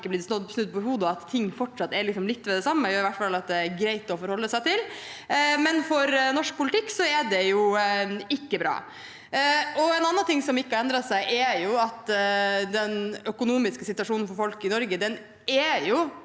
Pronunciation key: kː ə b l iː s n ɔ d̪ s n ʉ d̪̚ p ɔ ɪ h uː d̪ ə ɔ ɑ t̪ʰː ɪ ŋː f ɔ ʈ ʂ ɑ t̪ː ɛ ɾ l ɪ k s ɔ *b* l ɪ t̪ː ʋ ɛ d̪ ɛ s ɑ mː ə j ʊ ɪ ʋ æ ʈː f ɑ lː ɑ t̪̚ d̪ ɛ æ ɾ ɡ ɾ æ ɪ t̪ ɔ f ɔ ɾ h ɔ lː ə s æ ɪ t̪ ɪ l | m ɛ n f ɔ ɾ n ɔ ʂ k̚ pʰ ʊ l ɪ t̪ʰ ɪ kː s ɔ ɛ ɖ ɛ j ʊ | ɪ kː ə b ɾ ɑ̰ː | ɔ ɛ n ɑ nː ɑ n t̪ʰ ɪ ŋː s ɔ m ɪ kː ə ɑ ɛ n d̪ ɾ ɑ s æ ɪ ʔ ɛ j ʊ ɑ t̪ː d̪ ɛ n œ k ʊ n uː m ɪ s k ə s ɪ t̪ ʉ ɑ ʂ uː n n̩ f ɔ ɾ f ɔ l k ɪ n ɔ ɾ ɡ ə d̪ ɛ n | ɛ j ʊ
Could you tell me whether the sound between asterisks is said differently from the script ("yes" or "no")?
yes